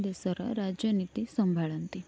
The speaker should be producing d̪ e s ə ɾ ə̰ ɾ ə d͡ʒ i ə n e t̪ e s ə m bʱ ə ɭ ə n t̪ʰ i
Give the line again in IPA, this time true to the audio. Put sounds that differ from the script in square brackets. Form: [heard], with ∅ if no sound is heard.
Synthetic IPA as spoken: d̪ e s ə ɾ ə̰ ɾ [a] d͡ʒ [j] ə n [i] t̪ [i] s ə m bʱ [a] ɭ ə n [t̪] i